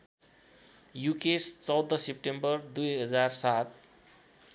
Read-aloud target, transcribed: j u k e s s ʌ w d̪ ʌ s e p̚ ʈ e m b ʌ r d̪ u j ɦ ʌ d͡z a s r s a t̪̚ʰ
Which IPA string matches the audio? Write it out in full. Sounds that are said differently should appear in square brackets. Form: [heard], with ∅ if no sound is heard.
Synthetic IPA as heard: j u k e s [t͡s] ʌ w d̪ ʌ s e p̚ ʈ e m b ʌ r d̪ u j ɦ ʌ d͡z a [∅] r s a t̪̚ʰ

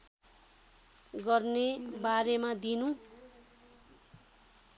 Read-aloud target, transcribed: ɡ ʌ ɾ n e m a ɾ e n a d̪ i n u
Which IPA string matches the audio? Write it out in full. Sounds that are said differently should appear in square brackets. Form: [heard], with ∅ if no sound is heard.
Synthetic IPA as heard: ɡ ʌ [r] n e [b] a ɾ e [m] a d̪ i n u

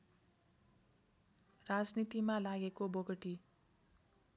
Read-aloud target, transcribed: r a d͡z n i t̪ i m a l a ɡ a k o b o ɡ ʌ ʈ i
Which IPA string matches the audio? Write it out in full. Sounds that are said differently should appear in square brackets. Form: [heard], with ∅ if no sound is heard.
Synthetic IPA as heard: r a d͡z n i t̪ i m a l a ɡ [e] k o b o ɡ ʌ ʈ i

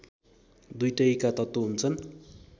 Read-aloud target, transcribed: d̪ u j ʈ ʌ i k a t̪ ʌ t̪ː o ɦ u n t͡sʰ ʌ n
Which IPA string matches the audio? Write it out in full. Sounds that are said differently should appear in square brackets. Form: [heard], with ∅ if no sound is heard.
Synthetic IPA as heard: d̪ u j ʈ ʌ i k a t̪ ʌ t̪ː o ɦ u n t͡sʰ ʌ n

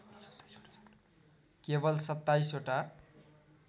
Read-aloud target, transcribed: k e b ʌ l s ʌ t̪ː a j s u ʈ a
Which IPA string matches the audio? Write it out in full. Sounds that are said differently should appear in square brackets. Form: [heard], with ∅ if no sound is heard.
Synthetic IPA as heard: k e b ʌ l s ʌ t̪ː a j s [o] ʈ a

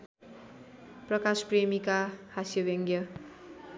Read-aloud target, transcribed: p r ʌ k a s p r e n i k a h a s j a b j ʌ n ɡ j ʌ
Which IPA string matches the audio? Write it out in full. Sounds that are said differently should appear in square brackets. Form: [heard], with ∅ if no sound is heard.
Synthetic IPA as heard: p r ʌ k a s p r e [m] i k a h a s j [ʌ] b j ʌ [ŋ] ɡ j ʌ

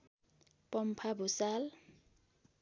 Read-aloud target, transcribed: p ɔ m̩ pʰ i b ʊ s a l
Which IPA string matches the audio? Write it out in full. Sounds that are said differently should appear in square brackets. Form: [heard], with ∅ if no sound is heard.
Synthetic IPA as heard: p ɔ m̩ pʰ [a] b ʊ s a l

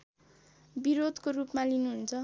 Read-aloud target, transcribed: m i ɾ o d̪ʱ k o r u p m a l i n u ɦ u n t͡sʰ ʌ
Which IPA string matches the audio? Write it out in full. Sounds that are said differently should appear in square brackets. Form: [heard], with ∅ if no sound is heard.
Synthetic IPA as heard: [b] i ɾ o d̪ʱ k o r u p m a l i n u ɦ u n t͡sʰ ʌ

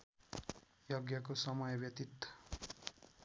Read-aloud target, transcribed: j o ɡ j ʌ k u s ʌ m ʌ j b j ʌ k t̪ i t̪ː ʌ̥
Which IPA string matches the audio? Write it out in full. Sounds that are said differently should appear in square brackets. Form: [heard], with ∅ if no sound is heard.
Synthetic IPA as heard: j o ɡ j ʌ k [o] s ʌ m ʌ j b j ʌ [∅] t̪ i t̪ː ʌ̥

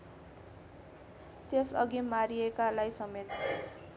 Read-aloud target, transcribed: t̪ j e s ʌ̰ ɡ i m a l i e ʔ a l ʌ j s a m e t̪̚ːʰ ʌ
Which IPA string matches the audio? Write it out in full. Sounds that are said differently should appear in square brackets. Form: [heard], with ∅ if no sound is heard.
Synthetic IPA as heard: t̪ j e s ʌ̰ ɡ i m a [ɾ] i e [k] a l [a] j s [ʌ] m e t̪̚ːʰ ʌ

